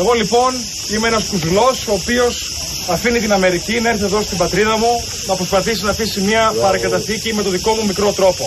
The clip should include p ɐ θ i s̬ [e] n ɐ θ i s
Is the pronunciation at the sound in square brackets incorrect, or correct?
incorrect